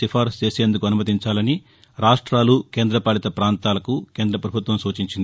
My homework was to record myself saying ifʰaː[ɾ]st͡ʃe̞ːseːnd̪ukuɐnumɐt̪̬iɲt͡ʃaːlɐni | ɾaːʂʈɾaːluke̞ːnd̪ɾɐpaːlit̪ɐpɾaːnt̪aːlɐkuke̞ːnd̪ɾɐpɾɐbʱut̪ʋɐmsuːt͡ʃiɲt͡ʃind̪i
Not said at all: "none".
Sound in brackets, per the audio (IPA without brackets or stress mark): ɾ